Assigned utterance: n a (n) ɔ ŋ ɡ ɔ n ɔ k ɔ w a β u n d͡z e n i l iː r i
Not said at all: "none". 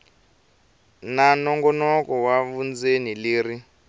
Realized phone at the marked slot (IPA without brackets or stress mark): n